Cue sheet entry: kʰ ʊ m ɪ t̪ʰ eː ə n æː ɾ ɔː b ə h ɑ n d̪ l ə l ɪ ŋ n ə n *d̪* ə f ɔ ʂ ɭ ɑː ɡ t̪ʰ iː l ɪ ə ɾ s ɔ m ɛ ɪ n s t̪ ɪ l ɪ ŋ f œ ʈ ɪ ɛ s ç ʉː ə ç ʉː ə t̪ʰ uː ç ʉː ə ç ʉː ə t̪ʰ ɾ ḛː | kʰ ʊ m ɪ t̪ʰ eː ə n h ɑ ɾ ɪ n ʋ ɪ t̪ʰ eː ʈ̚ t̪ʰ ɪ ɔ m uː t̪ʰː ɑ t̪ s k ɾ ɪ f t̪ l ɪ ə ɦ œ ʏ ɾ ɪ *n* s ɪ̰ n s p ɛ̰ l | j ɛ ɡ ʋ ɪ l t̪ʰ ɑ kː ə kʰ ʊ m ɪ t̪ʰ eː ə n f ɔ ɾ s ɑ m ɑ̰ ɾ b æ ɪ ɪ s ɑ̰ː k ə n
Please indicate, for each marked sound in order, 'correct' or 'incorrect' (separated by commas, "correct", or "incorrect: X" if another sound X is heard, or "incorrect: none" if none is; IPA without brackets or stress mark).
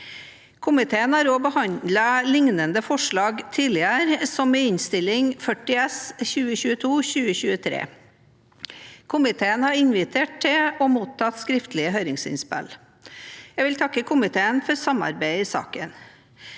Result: correct, incorrect: ŋ